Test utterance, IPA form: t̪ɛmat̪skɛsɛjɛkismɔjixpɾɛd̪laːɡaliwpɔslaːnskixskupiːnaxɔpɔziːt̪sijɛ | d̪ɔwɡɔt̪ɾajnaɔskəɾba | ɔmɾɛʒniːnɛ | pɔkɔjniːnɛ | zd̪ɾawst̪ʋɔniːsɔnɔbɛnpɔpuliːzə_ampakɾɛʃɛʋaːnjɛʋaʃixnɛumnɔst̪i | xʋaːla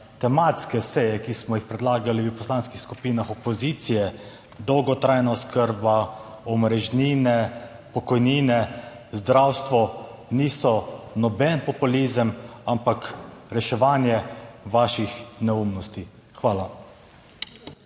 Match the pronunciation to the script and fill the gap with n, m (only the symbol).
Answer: m